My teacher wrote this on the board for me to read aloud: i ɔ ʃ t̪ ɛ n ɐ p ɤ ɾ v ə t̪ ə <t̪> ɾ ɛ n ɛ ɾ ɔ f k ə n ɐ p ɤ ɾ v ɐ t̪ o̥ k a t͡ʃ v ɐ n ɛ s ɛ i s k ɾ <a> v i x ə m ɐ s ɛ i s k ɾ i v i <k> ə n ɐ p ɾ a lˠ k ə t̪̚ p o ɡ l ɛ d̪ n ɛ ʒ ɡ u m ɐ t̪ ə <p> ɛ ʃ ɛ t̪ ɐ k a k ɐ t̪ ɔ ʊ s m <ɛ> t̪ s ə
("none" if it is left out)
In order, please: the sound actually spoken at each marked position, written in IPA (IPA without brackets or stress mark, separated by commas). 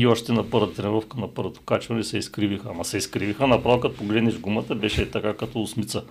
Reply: t̪, i, x, b, i